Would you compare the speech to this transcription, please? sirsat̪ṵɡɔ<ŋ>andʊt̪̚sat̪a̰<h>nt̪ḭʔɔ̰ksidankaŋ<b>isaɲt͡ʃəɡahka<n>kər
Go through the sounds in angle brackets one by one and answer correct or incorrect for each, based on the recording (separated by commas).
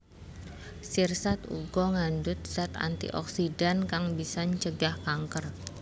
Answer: correct, incorrect, correct, incorrect